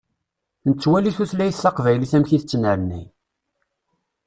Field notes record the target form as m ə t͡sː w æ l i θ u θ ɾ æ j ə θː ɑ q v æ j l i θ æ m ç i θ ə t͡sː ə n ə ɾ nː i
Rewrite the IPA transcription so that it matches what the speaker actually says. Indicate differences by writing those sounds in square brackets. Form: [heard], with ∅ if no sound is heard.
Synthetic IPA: [n] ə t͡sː w æ l i θ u θ [l] æ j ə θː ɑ q v æ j l i θ æ m ç i θ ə t͡sː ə n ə ɾ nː i